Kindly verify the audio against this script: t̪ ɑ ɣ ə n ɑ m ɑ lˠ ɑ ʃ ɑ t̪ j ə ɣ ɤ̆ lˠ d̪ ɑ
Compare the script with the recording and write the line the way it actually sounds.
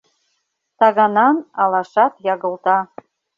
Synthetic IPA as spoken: t̪ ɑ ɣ ɑ n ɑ n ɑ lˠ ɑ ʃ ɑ t̪ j ɑ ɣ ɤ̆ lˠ t̪ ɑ

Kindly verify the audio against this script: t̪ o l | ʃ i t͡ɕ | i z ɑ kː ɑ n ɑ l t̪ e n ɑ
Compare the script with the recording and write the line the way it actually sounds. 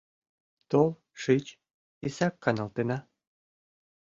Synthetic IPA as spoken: t̪ o l | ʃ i t͡ɕ | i s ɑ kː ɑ n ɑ l t̪ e n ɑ

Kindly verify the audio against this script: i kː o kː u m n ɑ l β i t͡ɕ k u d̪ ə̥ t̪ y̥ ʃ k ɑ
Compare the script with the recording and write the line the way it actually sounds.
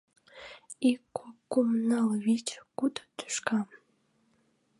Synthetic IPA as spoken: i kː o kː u m n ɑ l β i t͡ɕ k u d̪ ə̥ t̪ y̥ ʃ k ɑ

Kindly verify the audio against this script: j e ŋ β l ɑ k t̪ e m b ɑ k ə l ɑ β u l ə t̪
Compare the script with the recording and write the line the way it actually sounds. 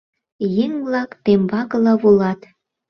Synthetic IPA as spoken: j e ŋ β l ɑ k t̪ e m b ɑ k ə l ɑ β u l ɑ t̪

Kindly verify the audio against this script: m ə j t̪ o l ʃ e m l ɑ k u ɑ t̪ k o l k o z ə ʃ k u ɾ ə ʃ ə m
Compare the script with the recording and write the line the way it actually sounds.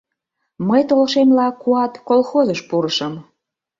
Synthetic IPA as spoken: m ə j t̪ o l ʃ e m l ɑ k u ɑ t̪ k o l x o z ə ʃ p u ɾ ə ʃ ə m

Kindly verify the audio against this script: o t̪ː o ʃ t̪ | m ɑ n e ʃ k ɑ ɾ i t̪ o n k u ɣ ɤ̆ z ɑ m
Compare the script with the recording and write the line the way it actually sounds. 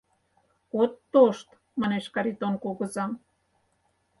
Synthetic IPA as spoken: o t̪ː o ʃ t̪ | m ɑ n e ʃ k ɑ ɾ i t̪ o n k o ɣ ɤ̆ z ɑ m

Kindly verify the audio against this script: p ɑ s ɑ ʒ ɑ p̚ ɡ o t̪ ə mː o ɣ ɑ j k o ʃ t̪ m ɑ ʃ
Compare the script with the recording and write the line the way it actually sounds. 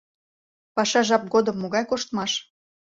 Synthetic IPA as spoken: p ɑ ʃ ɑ ʒ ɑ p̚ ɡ o d̪ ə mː o ɣ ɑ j k o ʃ t̪ m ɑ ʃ

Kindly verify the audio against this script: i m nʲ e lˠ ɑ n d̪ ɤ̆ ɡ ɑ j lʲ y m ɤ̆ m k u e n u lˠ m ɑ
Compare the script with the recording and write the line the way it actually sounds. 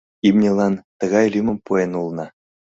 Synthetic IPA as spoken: i m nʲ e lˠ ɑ n t̪ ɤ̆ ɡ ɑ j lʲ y m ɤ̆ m p u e n u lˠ n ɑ

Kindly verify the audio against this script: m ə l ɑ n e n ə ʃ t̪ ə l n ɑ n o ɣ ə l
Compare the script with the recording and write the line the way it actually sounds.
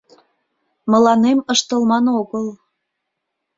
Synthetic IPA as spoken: m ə l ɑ n e m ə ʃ t̪ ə l m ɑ n o ɣ ə l

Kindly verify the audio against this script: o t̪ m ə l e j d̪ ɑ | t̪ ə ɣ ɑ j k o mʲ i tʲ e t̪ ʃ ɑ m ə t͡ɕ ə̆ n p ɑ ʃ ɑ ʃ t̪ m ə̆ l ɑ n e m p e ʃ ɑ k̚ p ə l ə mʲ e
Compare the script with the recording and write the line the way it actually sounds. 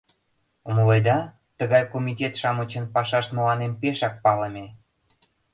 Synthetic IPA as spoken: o m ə l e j d̪ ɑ | t̪ ə ɣ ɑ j k o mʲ i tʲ e t̪ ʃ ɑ m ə t͡ɕ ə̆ n p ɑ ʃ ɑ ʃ t̪ m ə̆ l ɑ n e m p e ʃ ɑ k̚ p ɑ l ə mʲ e

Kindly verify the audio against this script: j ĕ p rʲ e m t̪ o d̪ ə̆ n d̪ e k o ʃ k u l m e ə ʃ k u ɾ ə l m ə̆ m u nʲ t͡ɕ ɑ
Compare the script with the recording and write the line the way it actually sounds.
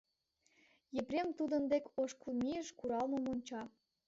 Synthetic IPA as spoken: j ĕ p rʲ e m t̪ u d̪ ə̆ n d̪ e k o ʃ k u l m i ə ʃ k u ɾ ɑ l m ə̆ m o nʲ t͡ɕ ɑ

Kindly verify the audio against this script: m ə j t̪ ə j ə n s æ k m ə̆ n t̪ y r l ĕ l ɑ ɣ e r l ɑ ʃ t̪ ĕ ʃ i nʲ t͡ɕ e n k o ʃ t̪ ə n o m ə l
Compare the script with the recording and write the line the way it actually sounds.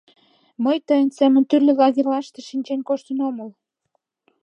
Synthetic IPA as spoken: m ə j t̪ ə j ə n s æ m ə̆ n t̪ y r l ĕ l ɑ ɣ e r l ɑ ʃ t̪ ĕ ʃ i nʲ t͡ɕ e n k o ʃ t̪ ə n o m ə l

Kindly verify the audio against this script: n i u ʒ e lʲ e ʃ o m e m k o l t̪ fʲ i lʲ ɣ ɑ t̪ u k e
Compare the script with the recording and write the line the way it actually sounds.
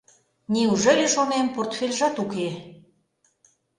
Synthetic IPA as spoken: n i u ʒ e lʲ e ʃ o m e m p o r t̪ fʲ e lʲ ʒ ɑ t̪ u k e

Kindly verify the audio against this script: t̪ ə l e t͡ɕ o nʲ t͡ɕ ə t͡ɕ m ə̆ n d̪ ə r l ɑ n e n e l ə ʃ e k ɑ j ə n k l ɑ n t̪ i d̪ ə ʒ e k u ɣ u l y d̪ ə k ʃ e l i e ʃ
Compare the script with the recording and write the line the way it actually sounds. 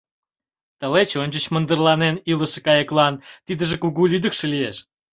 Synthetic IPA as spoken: t̪ ə l e t͡ɕ o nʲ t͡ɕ ə t͡ɕ m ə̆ n d̪ ə r l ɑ n e n i l ə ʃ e k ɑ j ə k l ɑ n t̪ i d̪ ə ʒ e k u ɣ u l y d̪ ə k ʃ e l i e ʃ

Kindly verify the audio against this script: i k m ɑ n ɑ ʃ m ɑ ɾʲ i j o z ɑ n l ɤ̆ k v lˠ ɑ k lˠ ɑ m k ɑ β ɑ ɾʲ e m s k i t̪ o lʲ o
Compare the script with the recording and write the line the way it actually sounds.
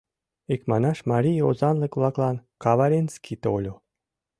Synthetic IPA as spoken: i k m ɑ n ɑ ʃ m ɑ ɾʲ i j o z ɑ n l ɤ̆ k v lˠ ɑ k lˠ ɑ n k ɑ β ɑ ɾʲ e n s k i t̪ o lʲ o

